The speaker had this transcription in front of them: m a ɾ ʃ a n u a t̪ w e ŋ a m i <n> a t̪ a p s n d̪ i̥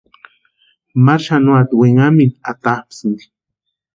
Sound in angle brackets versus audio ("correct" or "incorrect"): correct